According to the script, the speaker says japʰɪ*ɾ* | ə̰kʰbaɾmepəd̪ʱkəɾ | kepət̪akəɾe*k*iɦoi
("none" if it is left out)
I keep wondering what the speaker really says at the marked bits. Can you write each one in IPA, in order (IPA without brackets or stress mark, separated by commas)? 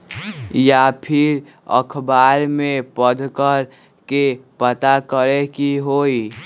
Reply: ɾ, k